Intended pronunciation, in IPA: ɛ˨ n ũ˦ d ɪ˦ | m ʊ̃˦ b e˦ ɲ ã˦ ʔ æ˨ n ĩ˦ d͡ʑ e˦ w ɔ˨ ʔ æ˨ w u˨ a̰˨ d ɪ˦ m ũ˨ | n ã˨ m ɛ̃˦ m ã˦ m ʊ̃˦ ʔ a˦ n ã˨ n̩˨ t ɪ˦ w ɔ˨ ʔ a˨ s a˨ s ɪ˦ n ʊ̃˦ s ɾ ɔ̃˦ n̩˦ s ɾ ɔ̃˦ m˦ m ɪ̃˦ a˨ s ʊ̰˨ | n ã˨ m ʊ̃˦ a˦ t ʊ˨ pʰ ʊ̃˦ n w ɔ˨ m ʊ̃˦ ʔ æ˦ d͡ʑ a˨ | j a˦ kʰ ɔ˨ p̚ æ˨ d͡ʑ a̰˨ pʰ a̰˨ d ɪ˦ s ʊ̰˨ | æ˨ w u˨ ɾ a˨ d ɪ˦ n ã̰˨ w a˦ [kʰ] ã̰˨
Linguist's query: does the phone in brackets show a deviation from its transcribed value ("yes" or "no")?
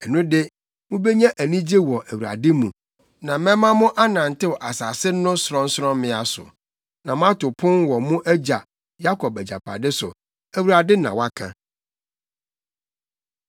no